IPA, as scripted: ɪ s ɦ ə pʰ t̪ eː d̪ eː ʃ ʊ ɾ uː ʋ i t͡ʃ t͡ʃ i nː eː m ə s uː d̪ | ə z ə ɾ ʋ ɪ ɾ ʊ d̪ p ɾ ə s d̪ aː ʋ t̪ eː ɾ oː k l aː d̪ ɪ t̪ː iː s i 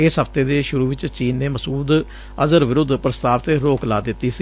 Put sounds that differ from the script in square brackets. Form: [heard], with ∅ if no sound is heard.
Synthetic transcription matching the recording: ɪ s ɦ ə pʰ t̪ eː d̪ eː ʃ ʊ ɾ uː ʋ [ɪ] t͡ʃ t͡ʃ [iː] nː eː m ə s uː d̪ | ə z ə ɾ ʋ ɪ ɾ ʊ d̪ p ɾ ə s [t̪] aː ʋ t̪ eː ɾ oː k l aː d̪ ɪ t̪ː iː s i